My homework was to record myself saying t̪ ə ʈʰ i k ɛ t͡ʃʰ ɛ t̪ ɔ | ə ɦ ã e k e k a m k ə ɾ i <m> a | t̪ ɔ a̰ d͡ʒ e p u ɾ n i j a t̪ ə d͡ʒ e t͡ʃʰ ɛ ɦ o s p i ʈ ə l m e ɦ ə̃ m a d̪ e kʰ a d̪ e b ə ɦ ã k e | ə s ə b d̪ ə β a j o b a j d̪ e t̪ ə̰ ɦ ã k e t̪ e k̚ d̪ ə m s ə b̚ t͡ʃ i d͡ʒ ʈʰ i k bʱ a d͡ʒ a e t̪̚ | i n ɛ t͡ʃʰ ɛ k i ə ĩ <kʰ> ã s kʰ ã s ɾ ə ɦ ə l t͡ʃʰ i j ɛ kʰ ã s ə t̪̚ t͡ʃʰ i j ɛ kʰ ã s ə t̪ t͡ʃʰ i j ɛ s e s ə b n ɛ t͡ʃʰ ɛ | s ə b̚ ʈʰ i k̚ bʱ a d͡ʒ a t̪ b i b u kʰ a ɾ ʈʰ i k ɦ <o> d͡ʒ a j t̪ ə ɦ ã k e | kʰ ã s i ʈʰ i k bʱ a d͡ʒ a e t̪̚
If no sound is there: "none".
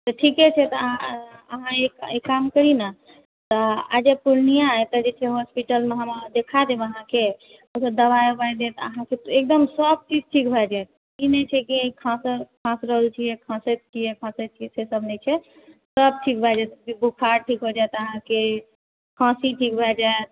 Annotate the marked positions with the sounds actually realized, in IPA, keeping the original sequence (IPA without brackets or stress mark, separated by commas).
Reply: n, kʰ, o